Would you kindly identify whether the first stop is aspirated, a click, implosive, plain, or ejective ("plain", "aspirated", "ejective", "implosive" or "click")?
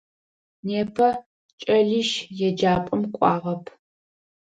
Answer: aspirated